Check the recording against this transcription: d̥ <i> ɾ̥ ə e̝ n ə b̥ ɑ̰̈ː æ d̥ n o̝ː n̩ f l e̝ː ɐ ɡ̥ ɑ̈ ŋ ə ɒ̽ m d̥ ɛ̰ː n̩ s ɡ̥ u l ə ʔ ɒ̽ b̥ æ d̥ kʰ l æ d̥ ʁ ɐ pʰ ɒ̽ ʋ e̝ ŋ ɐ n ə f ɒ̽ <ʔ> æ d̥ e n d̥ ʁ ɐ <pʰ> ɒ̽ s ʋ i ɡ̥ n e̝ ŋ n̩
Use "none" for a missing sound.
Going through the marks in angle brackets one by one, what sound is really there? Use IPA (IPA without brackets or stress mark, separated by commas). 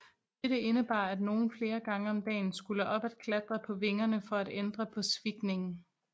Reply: e, none, pʰ